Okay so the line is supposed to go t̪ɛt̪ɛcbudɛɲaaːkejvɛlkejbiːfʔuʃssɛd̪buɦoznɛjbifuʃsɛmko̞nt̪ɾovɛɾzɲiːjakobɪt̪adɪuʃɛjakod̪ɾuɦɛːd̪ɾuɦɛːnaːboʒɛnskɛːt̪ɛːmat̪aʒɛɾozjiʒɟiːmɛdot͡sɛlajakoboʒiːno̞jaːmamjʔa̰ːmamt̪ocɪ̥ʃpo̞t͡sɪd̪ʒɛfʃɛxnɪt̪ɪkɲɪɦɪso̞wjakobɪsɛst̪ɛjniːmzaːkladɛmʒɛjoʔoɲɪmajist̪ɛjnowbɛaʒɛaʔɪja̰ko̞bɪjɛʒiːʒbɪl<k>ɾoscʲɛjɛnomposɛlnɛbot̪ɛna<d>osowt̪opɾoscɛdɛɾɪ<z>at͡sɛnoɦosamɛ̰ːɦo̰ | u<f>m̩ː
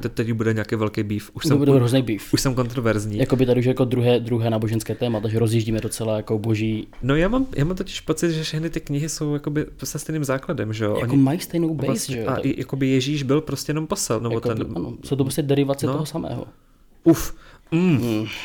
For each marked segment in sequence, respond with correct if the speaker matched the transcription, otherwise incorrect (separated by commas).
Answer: incorrect, incorrect, incorrect, correct